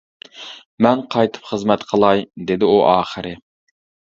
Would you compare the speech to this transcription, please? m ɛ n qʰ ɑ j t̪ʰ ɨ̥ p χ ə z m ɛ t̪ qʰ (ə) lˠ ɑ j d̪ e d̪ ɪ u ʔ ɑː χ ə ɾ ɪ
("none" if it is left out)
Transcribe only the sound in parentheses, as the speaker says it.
ə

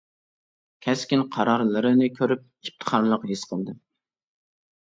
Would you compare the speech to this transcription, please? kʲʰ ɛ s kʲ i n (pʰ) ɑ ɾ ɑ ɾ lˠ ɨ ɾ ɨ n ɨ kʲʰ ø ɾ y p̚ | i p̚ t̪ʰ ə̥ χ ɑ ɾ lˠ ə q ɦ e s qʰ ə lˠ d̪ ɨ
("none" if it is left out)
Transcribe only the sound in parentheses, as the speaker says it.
qʰ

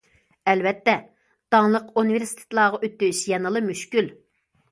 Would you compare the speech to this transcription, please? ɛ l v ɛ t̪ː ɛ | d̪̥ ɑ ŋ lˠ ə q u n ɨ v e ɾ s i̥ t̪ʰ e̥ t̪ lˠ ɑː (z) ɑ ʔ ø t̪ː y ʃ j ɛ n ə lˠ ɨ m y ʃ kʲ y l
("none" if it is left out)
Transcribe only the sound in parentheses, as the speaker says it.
ʁ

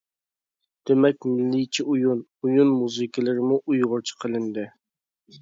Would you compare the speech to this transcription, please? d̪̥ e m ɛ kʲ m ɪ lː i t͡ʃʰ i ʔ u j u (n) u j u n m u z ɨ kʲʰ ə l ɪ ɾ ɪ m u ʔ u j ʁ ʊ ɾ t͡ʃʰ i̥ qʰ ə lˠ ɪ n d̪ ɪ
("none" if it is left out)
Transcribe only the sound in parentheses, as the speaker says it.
n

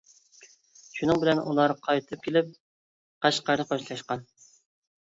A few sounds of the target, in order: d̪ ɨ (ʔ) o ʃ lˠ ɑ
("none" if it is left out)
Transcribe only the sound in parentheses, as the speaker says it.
q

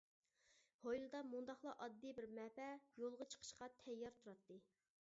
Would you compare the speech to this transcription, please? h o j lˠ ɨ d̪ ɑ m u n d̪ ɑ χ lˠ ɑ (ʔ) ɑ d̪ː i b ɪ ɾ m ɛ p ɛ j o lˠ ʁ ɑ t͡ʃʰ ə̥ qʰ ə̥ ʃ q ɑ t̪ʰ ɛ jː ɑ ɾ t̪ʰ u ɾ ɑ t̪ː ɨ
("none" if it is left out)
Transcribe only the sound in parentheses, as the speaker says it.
ʔ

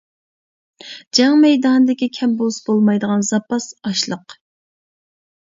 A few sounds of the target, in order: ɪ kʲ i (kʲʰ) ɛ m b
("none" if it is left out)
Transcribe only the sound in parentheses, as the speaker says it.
kʲʰ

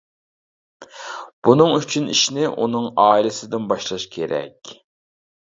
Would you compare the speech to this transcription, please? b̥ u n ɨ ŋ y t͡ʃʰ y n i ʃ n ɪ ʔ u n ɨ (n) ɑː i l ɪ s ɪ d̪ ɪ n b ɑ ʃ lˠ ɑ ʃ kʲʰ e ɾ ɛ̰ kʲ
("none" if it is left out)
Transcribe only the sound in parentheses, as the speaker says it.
ŋ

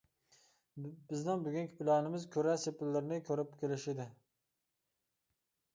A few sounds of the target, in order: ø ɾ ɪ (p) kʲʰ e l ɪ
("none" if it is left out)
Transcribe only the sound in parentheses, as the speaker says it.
p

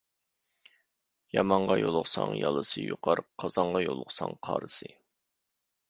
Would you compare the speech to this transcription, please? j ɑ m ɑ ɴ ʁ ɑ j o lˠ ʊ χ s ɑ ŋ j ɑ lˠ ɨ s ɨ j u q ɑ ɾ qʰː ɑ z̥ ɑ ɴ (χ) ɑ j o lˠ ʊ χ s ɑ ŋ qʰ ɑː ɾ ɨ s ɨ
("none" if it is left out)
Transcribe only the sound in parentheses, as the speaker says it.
ʁ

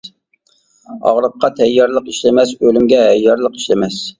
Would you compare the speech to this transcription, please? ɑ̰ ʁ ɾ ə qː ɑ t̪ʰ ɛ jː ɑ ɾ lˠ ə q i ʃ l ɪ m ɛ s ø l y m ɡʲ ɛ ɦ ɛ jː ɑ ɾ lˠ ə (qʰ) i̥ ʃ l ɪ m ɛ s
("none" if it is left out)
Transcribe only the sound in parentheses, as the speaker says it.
q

